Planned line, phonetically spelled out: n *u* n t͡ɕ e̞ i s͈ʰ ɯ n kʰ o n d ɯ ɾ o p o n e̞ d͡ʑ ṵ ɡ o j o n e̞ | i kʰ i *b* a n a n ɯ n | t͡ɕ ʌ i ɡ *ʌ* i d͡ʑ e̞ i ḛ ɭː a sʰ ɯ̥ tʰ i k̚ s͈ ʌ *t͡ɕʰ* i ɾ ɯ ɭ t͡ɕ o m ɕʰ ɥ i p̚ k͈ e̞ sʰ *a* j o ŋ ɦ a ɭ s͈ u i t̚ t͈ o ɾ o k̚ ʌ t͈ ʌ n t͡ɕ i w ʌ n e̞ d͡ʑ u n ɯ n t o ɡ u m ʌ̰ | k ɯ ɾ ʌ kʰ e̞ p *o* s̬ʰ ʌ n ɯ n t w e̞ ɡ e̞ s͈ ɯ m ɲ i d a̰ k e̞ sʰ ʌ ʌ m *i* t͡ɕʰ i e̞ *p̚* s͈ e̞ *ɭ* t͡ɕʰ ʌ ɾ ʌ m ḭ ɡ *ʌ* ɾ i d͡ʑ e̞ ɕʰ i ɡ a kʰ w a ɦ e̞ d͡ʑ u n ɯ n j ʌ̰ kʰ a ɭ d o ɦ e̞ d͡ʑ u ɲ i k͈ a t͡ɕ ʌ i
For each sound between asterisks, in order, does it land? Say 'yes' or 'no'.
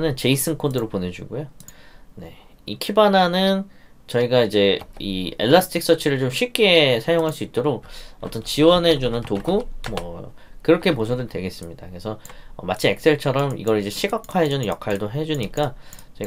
no, yes, no, yes, yes, yes, no, no, yes, yes

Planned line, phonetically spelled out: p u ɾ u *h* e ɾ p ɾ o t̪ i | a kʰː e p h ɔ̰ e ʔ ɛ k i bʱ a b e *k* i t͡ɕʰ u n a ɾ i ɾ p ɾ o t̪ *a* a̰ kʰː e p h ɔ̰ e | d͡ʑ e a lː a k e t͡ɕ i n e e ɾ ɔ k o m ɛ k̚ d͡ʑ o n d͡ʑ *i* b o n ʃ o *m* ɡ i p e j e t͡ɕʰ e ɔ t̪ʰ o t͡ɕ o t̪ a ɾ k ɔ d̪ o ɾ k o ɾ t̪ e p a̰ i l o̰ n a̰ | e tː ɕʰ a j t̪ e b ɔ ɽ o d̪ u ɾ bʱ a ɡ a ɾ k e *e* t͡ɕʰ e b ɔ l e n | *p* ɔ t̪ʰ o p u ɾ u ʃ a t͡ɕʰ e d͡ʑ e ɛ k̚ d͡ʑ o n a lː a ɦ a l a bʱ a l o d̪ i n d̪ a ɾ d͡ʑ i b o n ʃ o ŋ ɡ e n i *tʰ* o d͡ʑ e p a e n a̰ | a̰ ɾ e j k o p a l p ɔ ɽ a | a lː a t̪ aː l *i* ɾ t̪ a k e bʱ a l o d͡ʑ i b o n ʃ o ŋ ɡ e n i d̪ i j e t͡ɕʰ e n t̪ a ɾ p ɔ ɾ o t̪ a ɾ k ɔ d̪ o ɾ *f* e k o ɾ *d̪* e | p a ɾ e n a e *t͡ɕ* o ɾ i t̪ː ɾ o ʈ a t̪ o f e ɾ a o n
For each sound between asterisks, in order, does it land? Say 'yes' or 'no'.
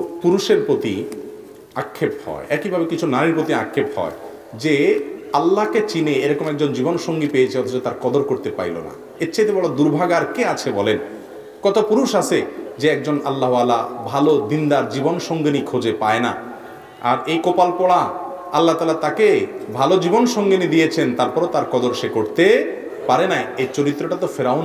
no, yes, no, yes, no, no, no, no, no, no, no, yes

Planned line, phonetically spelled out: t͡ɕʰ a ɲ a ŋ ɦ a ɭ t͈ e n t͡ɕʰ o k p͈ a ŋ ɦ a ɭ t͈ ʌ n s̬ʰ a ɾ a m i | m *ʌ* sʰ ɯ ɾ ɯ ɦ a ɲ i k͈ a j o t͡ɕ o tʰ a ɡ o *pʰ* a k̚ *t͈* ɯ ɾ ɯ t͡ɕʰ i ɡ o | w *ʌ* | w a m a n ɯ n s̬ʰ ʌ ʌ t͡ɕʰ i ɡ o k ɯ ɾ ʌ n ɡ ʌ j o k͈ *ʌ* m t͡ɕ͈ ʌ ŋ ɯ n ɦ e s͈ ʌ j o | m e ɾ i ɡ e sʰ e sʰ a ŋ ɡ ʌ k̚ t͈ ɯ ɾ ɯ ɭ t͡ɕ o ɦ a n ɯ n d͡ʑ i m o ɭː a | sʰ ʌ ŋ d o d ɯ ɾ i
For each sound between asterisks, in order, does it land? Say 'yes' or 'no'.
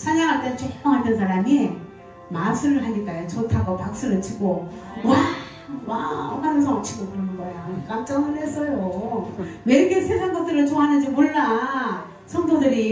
no, no, no, no, no

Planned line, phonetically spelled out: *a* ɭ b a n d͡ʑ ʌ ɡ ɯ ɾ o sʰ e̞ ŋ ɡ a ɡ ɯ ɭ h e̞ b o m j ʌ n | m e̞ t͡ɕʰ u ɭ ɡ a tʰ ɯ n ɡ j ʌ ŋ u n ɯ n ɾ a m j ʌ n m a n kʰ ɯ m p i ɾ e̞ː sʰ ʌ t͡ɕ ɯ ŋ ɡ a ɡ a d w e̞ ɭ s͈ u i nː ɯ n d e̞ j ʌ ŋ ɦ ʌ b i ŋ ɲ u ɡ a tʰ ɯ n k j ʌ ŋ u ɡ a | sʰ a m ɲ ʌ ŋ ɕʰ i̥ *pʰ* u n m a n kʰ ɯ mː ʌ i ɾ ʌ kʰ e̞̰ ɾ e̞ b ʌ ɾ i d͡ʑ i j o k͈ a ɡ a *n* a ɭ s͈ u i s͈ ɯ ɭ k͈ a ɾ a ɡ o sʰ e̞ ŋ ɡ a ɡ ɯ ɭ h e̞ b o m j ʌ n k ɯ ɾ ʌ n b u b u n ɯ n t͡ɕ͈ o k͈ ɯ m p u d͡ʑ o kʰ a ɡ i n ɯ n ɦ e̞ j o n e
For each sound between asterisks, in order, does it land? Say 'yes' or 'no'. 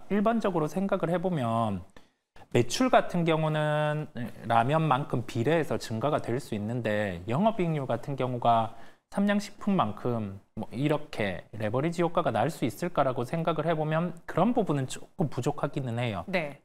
no, yes, yes

